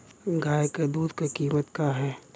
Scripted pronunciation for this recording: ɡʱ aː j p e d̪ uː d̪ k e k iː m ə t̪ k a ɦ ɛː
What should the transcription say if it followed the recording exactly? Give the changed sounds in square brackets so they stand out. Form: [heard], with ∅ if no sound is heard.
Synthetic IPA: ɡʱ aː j [k] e d̪ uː d̪ k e k iː m ə t̪ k a ɦ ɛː